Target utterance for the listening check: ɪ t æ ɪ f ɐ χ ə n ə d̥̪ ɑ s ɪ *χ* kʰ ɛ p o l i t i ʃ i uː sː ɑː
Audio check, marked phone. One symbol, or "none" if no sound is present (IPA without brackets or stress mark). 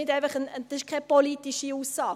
ʃ